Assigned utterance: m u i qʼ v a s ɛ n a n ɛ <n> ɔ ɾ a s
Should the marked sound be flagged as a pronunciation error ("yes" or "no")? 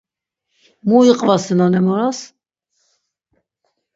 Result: yes